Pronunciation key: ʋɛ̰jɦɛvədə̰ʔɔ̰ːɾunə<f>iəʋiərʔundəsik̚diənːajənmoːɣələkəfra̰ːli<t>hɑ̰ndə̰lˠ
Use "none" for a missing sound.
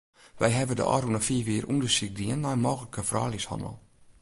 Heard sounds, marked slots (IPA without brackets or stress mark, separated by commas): f, s